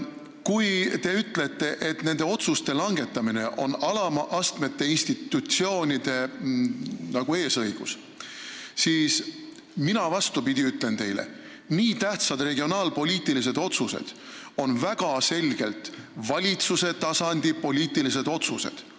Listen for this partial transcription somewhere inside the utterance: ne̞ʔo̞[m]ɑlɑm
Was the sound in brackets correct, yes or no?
no